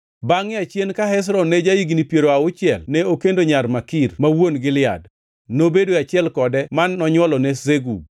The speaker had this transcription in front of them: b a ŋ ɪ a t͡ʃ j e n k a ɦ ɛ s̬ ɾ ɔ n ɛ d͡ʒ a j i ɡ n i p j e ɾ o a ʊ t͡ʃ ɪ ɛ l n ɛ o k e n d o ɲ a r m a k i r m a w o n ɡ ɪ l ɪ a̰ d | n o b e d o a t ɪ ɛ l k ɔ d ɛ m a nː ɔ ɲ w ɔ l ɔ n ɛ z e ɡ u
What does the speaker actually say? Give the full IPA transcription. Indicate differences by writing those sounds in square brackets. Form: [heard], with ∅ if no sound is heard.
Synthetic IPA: b a ŋ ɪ a t͡ʃ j e n k a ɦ ɛ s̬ ɾ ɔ n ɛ d͡ʒ a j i ɡ n i p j e ɾ o a ʊ t͡ʃ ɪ ɛ l n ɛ o k e n d o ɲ a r m a k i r m a w o n ɡ ɪ l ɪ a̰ d | n o b e d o a [t͡ʃ] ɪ ɛ l k ɔ d ɛ m a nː ɔ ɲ w ɔ l ɔ n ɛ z e ɡ u